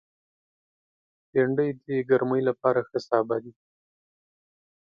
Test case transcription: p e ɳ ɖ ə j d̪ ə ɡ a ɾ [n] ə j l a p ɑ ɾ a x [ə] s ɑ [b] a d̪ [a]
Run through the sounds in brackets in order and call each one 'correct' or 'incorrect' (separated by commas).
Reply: incorrect, correct, correct, incorrect